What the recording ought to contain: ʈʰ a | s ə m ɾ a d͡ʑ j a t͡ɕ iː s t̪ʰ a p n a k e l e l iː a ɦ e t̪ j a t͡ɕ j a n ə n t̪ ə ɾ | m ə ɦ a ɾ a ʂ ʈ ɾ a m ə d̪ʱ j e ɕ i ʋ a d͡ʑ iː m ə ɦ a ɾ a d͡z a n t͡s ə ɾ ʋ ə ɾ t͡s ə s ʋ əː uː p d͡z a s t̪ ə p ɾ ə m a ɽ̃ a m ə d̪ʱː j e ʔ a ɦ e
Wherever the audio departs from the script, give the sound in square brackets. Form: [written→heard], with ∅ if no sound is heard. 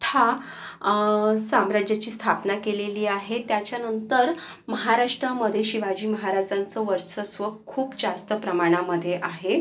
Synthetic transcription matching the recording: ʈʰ a | s [ə→a] m ɾ a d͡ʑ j a t͡ɕ iː s t̪ʰ a p n a k e l e l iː a ɦ e t̪ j a t͡ɕ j a n ə n t̪ ə ɾ | m ə ɦ a ɾ a ʂ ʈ ɾ a m ə d̪ʱ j e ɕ i ʋ a d͡ʑ iː m ə ɦ a ɾ a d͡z a n t͡s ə [ɾ→∅] ʋ ə ɾ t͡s ə s ʋ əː uː p d͡z a s t̪ ə p ɾ ə m a ɽ̃ a m ə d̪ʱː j e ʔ a ɦ e